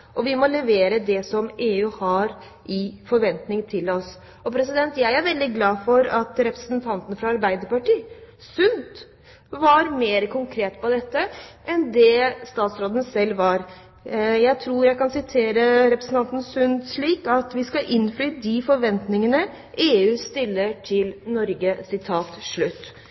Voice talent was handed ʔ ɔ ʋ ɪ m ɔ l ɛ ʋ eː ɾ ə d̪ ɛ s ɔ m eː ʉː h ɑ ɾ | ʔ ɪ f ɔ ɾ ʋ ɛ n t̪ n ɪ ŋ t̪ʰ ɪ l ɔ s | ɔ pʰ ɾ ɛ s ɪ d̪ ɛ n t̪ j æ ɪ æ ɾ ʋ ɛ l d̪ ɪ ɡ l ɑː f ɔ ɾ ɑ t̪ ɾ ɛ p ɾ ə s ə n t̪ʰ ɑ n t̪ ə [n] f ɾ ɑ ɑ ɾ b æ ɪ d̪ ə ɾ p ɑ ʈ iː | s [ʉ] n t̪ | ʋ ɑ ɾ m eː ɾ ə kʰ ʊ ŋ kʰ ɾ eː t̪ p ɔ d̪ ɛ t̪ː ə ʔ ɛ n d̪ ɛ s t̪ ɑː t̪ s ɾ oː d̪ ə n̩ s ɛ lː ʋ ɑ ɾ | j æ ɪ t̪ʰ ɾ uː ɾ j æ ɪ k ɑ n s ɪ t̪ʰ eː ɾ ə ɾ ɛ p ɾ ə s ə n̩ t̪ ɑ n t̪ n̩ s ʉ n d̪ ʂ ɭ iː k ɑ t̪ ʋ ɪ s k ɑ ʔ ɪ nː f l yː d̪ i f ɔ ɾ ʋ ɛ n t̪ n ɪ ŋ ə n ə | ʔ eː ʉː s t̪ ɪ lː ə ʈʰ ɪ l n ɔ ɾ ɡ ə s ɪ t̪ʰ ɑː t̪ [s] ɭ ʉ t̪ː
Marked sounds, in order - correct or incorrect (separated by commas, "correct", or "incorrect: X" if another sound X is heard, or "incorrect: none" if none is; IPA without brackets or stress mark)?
correct, correct, incorrect: ʂ